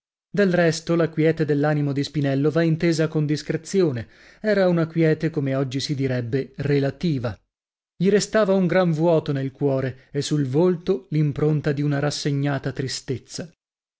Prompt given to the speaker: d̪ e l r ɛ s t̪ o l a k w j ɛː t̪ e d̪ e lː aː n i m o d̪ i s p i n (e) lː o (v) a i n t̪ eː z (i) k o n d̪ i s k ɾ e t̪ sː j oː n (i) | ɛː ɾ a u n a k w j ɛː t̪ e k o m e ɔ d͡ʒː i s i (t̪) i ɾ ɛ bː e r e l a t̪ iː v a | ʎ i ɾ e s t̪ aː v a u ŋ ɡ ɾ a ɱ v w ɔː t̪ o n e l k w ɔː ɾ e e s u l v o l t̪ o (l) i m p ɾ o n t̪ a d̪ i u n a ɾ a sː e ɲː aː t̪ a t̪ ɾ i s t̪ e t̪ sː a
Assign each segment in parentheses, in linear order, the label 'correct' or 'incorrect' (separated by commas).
incorrect, correct, incorrect, incorrect, incorrect, correct